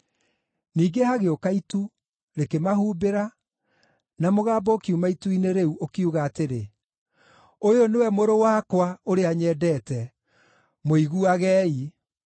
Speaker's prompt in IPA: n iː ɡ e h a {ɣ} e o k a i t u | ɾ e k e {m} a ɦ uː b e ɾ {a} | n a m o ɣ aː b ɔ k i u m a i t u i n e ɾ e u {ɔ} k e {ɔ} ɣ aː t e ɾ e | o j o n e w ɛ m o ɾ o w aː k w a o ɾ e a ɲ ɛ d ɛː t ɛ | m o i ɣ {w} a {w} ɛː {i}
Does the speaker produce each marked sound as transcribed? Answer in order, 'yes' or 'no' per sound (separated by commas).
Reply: yes, yes, yes, no, no, no, no, yes